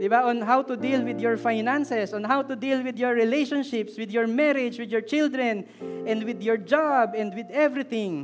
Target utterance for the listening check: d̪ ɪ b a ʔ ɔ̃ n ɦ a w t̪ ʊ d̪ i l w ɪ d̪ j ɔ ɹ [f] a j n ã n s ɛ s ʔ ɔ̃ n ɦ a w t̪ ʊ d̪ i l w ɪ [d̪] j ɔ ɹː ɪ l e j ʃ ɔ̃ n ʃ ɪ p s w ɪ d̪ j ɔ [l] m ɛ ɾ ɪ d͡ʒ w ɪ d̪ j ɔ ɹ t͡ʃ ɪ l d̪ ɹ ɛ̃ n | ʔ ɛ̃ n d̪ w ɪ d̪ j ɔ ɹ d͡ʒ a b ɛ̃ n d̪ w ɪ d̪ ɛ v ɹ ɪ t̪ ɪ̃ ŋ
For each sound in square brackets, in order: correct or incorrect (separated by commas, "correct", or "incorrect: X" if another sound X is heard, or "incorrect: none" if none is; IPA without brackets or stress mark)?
correct, correct, incorrect: ɹ